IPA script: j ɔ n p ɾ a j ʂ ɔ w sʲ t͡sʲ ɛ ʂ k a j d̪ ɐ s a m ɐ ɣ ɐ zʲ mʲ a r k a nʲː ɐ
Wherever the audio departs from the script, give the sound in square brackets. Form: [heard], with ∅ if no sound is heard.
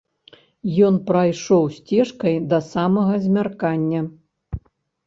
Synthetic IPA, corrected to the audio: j ɔ n p ɾ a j ʂ ɔ w sʲ t͡sʲ ɛ ʂ k [ɐ] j d̪ ɐ s a m ɐ ɣ ɐ zʲ mʲ a r k a nʲː ɐ